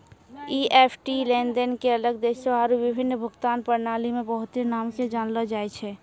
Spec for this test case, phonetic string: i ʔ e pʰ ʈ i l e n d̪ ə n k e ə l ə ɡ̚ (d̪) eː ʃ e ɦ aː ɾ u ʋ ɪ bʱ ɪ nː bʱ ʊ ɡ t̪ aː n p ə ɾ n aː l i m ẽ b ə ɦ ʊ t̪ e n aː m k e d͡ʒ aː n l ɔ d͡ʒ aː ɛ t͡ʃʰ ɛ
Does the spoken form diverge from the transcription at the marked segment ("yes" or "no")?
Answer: no